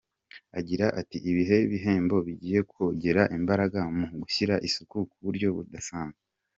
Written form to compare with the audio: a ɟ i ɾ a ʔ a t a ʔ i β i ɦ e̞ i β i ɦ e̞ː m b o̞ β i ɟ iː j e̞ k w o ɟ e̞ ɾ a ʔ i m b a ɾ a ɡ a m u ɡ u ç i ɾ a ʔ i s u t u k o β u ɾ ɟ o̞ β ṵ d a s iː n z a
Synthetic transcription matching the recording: a ɟ i ɾ a ʔ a t i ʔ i β i ɦ e̞ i β i ɦ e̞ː m b o̞ β i ɟ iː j e̞ k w o ɟ e̞ ɾ a ʔ i m b a ɾ a ɡ a m u ɡ u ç i ɾ a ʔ i s u k u k u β u ɾ ɟ o̞ β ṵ d a s aː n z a